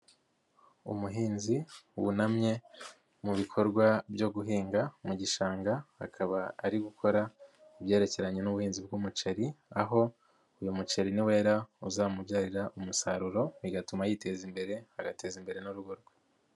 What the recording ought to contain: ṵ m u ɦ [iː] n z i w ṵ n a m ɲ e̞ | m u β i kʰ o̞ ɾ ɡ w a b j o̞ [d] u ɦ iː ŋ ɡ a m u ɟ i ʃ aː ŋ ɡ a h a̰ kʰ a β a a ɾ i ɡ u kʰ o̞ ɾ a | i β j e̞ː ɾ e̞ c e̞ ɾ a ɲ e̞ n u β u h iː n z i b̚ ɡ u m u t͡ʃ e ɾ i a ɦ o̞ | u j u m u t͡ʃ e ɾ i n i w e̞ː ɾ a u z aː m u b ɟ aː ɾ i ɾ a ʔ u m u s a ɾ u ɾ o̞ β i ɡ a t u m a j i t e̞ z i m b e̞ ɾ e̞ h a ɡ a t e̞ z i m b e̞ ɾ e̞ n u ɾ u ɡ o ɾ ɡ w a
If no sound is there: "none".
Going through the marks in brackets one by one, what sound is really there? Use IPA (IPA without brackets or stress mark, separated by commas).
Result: iː, ɡ